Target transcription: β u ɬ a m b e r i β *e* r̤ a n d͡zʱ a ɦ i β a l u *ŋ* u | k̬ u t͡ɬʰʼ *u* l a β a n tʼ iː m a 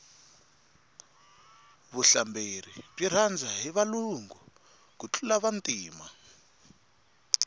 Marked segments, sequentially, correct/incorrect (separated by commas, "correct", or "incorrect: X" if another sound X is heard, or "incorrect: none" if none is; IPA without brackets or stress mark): incorrect: i, correct, correct